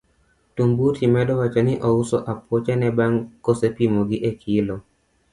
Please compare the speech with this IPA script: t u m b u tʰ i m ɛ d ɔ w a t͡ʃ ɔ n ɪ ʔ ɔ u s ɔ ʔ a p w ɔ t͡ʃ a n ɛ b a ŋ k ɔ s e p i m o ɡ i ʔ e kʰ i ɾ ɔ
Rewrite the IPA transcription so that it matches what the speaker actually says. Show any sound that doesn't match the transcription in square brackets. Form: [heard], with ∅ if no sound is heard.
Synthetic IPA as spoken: t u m b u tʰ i m ɛ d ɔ w a t͡ʃ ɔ n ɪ ʔ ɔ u s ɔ ʔ a p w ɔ t͡ʃ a n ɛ b a ŋ k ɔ s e p i m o ɡ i ʔ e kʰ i [l] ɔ